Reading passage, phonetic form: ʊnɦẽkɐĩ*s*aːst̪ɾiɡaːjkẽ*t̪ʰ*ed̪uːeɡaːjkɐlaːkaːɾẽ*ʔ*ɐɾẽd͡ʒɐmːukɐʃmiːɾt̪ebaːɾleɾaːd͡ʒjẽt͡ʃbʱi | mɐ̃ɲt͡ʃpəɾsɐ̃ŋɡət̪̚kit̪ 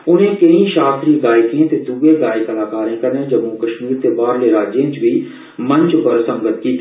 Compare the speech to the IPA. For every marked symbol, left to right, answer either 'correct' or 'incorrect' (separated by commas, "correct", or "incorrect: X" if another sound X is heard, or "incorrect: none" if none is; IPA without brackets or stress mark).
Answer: incorrect: ʃ, incorrect: t̪, incorrect: k